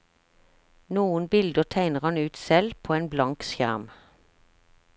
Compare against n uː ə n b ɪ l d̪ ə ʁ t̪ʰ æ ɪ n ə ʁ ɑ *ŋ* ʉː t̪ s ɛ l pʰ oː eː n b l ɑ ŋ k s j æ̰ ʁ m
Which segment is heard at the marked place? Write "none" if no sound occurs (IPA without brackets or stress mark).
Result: n